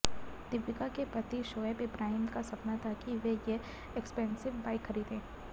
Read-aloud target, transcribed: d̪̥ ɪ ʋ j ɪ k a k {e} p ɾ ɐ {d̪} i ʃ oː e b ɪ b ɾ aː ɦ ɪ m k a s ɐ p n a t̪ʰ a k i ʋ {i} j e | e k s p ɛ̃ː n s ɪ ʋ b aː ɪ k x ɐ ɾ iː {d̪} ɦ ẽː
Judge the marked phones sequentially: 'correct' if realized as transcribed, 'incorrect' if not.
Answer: correct, incorrect, incorrect, correct

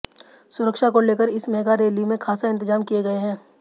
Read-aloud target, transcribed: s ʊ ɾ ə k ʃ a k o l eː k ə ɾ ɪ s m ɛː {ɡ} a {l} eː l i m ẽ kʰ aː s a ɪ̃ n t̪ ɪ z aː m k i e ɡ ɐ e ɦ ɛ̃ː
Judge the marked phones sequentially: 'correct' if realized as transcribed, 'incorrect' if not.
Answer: correct, incorrect

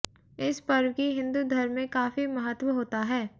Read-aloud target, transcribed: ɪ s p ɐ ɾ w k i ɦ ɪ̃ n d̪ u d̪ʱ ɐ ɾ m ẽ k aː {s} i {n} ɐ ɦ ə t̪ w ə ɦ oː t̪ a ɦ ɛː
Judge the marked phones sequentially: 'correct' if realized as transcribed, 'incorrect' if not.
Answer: incorrect, incorrect

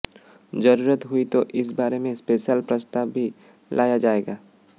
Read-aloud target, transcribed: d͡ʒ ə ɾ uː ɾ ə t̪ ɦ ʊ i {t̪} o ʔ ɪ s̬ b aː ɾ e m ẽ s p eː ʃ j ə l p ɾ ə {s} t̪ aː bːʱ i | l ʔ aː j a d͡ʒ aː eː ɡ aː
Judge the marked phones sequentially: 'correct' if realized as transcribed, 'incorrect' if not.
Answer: correct, correct

